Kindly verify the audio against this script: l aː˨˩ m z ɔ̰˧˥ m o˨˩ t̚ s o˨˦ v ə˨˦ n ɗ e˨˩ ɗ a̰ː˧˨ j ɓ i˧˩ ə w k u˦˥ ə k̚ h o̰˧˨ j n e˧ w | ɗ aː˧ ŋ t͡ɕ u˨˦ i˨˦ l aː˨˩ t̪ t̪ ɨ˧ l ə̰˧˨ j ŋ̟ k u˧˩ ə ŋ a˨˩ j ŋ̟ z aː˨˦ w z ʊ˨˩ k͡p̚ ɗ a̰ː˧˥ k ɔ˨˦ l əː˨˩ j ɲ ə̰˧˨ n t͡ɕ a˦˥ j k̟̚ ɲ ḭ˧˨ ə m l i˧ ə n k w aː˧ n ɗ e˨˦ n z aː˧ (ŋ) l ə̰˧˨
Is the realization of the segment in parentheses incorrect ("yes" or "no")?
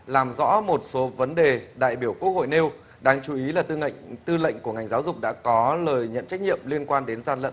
yes